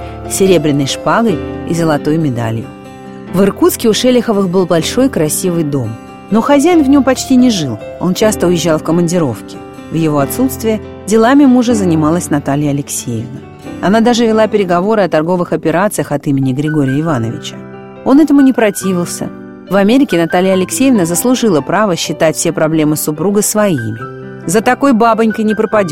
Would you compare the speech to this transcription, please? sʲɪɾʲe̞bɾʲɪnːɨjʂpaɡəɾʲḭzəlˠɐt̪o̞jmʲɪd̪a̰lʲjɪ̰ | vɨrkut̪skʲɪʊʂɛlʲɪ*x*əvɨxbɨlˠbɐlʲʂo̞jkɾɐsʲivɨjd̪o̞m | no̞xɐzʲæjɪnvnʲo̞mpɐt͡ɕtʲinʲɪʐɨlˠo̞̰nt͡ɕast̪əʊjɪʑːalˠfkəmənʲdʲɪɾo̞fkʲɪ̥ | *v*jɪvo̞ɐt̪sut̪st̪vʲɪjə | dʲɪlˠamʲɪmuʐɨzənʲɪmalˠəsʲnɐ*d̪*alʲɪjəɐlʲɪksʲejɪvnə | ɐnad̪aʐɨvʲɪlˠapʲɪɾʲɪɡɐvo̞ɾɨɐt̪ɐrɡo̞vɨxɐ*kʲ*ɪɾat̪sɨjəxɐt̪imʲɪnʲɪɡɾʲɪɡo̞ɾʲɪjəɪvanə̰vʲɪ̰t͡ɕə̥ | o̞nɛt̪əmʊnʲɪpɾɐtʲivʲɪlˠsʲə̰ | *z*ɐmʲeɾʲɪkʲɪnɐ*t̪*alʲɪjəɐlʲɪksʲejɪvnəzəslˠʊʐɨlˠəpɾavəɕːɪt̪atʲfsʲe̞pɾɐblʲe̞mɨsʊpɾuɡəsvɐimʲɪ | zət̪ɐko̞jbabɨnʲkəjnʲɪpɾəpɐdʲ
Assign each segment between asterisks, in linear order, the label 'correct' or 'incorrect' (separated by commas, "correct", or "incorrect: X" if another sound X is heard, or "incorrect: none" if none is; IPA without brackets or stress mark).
correct, correct, incorrect: t̪, incorrect: pʲ, incorrect: v, correct